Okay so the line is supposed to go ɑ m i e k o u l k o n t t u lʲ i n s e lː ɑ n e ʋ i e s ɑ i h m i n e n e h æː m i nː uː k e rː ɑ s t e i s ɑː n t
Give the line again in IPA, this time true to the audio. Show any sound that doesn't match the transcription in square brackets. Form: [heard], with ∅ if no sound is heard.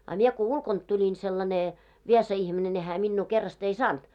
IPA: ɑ m i e k o u l k o n t t u lʲ i n s e lː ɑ n e ʋ i e s ɑ i h m i n e n e h æː m i nː uː k e rː ɑ s t e i s ɑː n t